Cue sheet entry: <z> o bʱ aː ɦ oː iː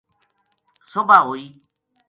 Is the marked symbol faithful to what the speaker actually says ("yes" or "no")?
no